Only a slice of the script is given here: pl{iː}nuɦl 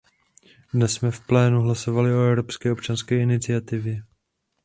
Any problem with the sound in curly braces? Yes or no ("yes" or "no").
yes